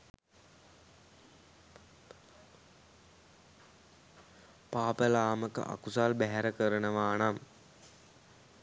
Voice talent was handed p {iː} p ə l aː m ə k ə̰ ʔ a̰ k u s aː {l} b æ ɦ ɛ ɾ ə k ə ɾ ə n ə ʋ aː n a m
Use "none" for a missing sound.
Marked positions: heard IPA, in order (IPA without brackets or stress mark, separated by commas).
aː, l